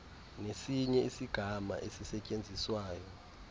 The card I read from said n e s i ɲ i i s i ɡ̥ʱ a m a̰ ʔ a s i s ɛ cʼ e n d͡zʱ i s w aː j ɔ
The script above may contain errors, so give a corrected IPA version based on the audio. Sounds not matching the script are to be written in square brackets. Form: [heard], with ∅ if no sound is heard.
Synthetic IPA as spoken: n e s i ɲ [ɛ] i s i ɡ̥ʱ a m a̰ ʔ [e] s i s ɛ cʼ e n d͡zʱ i s w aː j ɔ